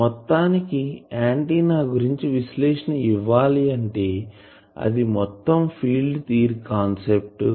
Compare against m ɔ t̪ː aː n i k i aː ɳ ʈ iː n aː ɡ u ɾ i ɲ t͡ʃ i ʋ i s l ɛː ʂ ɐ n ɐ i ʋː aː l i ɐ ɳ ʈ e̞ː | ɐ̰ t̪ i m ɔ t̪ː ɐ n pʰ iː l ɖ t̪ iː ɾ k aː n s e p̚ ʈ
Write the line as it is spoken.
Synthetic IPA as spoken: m ɔ t̪ː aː n i k i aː ɳ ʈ iː n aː ɡ u ɾ i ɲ t͡ʃ i ʋ i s l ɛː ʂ ɐ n ɐ i ʋː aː l i ɐ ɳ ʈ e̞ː | ɐ̰ d̪ i m ɔ t̪ː ɐ m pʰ iː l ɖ t̪ iː ɾ k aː n s e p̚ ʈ

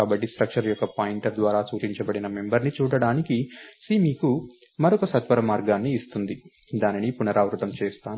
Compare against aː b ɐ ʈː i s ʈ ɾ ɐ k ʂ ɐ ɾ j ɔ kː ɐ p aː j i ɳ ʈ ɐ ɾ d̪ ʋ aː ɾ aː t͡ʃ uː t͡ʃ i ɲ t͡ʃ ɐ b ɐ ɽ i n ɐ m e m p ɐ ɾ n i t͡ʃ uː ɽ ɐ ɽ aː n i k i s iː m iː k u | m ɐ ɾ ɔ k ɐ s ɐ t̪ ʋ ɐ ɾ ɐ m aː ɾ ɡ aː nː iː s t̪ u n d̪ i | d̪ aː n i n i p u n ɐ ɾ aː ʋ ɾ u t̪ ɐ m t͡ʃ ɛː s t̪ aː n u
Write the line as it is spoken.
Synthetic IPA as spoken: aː b ɐ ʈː i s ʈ ɾ ɐ k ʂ ɐ ɾ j ɔ kː ɐ p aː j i ɳ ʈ ɐ ɾ d̪ ʋ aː ɾ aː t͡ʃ uː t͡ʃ i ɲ t͡ʃ ɐ b ɐ ɽ i n ɐ m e m b ɐ ɾ n i t͡ʃ uː ɽ ɐ ɽ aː n i k i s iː m iː k u | m ɐ ɾ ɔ k ɐ s ɐ t̪ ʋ ɐ ɾ ɐ m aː ɾ ɡ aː nː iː s t̪ u n d̪ i | d̪ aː n i n i p u n ɐ ɾ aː ʋ ɾ u t̪ ɐ m t͡ʃ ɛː s t̪ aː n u

